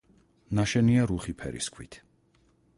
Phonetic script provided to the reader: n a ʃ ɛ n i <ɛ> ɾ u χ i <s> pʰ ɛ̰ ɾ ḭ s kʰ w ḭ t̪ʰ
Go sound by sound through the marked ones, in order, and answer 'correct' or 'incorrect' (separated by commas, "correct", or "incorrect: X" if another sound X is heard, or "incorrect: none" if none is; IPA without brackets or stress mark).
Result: incorrect: a, incorrect: none